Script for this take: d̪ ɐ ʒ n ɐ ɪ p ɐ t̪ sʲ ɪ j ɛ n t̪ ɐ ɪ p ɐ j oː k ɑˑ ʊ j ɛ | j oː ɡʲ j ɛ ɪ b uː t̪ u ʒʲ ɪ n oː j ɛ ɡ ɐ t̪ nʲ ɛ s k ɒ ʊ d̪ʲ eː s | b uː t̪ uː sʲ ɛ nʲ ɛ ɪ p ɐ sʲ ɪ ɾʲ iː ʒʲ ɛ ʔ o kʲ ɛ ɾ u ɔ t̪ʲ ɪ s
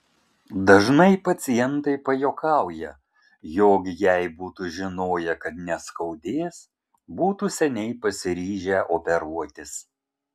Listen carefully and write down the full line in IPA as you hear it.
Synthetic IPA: d̪ ɐ ʒ n ɐ ɪ p ɐ t̪ sʲ ɪ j ɛ n t̪ ɐ ɪ p ɐ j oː k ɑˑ ʊ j ɛ | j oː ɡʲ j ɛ ɪ b uː t̪ u ʒʲ ɪ n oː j ɛ k ɐ t̪ nʲ ɛ s k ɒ ʊ d̪ʲ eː s | b uː t̪ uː sʲ ɛ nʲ ɛ ɪ p ɐ sʲ ɪ ɾʲ iː ʒʲ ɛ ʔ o pʲ ɛ ɾ u ɔ t̪ʲ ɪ s